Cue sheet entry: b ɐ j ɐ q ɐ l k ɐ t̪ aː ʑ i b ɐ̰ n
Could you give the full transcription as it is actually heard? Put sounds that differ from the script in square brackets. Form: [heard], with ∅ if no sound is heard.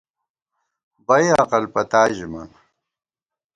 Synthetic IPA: b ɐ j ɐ q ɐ l [p] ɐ t̪ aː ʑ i [m] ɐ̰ n